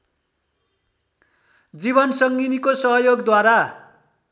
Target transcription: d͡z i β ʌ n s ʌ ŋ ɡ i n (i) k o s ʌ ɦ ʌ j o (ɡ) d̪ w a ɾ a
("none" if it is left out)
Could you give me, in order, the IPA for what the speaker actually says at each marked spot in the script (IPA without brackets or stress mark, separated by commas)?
i, ɡ